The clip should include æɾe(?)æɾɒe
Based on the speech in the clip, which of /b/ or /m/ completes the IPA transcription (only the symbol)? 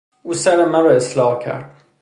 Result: m